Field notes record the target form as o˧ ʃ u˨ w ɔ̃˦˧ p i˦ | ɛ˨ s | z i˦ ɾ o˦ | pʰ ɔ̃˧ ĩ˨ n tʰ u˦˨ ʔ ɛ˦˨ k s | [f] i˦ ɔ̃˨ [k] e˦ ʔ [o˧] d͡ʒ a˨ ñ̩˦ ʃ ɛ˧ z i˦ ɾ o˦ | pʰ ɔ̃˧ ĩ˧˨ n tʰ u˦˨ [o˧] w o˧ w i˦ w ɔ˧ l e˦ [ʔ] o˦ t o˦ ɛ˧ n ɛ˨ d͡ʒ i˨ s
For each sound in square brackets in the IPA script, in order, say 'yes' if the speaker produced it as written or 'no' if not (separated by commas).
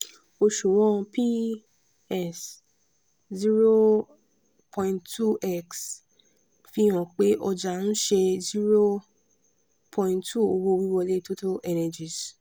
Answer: yes, no, no, yes, no